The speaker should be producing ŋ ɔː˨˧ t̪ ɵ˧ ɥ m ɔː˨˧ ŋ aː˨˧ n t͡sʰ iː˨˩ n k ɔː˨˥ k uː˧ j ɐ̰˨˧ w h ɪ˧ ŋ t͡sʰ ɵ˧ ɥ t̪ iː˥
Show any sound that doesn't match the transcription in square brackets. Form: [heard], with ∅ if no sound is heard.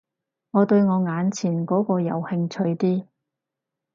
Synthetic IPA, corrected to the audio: ŋ ɔː˨˧ t̪ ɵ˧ ɥ [ŋ] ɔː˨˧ ŋ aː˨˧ n t͡sʰ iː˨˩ n k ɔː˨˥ k [ɔː˧] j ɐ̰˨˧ w h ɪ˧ ŋ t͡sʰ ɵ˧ ɥ t̪ iː˥

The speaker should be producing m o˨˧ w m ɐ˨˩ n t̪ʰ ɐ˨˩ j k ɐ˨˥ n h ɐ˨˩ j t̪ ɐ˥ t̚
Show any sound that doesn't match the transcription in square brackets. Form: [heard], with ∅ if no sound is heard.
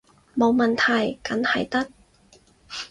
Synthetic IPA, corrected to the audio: m o˨˧ w m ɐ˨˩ n t̪ʰ ɐ˨˩ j k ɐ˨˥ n h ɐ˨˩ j t̪ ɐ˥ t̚

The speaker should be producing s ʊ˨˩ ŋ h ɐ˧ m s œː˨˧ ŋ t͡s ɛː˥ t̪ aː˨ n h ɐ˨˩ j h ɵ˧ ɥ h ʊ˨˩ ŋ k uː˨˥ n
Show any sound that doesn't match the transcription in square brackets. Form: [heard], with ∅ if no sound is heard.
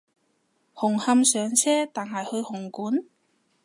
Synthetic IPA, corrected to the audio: [h] ʊ˨˩ ŋ h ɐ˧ m s œː˨˧ ŋ [t͡sʰ] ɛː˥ t̪ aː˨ n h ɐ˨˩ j h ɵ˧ ɥ h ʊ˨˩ ŋ k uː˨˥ n

